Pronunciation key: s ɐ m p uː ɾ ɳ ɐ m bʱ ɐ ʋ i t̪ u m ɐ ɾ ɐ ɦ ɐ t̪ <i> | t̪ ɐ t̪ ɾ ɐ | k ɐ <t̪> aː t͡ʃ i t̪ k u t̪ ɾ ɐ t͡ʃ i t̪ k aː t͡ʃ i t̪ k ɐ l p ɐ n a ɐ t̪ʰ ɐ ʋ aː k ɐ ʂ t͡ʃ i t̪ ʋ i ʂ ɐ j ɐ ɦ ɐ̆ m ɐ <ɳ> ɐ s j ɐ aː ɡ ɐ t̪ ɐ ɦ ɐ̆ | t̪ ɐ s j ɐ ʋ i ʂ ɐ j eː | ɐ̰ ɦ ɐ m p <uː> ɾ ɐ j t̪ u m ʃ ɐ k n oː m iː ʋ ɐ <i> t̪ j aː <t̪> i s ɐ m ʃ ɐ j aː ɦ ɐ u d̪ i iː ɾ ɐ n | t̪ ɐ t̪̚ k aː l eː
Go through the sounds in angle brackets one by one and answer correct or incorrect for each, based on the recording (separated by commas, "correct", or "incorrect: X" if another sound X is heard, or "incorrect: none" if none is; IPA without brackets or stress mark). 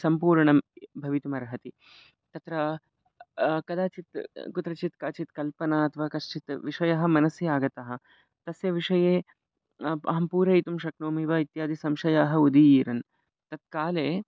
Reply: correct, incorrect: d̪, incorrect: n, correct, correct, incorrect: d̪